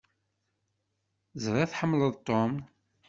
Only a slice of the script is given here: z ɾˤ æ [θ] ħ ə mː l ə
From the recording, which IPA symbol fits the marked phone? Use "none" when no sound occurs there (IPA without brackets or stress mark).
θ